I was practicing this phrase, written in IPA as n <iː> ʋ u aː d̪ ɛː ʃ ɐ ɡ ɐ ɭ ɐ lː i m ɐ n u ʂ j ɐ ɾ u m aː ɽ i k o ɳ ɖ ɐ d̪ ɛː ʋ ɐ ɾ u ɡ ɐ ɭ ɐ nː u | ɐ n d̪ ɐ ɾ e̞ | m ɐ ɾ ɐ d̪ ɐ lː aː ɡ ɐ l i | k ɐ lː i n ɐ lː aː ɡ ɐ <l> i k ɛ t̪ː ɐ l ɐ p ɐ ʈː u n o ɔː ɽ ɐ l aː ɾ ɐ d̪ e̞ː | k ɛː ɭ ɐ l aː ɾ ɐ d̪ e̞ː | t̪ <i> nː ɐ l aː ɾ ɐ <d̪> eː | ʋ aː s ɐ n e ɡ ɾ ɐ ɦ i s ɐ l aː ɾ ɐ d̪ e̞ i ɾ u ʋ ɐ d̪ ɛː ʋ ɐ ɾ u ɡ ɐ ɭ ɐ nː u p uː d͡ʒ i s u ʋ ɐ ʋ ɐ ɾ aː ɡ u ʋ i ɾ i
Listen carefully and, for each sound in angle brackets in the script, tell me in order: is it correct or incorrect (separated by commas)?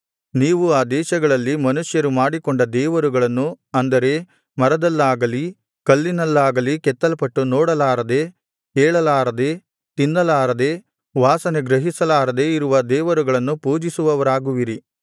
correct, correct, correct, correct